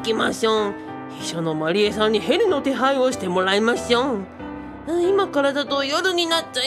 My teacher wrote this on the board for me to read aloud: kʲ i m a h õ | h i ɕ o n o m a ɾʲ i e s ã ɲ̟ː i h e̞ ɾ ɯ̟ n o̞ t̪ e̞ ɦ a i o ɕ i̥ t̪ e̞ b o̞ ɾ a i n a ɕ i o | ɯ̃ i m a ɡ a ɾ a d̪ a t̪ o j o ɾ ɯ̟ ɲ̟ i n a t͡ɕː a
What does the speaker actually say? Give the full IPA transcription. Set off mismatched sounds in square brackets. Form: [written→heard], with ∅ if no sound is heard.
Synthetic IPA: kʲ i m a [h→ɕ] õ | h i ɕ o n o m a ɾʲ i e s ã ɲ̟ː i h e̞ ɾ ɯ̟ n o̞ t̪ e̞ ɦ a i o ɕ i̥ t̪ e̞ [b→m] o̞ ɾ a i [n→m] a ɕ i o | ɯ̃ i m a [ɡ→k] a ɾ a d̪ a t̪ o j o ɾ ɯ̟ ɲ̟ i n a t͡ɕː a